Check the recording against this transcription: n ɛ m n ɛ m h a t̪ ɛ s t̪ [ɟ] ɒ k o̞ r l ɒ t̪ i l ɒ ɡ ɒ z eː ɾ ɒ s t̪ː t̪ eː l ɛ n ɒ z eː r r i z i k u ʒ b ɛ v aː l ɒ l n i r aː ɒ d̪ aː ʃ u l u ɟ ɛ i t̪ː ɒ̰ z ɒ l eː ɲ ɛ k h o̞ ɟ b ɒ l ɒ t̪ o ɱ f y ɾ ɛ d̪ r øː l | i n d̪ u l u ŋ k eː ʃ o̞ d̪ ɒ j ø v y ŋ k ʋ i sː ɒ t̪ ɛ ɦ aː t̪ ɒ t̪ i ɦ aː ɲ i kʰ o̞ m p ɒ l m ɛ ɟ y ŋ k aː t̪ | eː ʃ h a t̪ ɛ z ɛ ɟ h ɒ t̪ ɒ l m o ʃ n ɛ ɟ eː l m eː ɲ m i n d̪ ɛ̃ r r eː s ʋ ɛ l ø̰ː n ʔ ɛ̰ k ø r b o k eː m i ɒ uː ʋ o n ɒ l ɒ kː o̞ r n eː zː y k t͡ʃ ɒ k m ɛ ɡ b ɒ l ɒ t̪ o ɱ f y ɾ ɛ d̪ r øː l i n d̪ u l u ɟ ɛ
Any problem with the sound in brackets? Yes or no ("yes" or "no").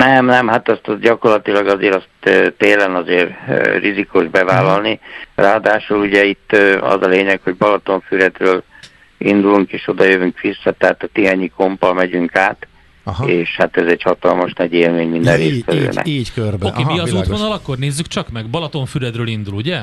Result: no